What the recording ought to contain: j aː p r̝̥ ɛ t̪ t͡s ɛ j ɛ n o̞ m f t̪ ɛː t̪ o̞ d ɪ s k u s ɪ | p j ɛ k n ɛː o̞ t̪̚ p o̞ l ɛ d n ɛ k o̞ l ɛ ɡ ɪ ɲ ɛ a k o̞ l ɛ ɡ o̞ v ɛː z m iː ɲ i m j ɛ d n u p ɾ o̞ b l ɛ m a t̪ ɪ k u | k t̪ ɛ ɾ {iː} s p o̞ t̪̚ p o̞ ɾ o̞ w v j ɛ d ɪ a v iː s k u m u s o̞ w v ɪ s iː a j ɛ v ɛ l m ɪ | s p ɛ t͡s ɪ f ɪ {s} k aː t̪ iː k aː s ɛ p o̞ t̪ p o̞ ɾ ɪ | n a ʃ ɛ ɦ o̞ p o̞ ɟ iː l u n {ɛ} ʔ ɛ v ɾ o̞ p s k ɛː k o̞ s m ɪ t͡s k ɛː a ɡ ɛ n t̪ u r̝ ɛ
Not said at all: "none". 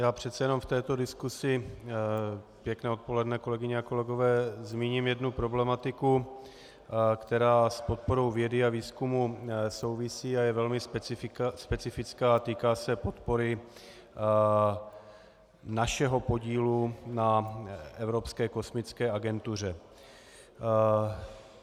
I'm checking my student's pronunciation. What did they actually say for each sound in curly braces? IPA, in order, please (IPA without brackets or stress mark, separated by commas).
aː, t͡s, a